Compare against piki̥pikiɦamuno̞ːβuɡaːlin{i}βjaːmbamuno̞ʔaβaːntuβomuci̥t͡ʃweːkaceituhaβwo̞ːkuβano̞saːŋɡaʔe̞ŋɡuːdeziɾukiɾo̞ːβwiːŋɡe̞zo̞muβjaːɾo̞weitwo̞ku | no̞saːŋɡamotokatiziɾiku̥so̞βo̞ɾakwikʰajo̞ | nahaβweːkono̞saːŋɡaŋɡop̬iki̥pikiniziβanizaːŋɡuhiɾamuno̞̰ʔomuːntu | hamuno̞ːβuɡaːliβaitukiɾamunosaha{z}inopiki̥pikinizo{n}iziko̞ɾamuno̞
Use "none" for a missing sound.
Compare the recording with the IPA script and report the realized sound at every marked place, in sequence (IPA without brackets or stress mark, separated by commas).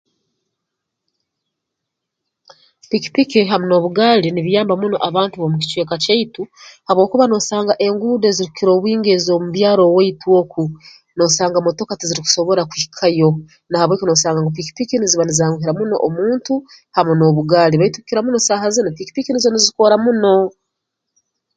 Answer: i, z, n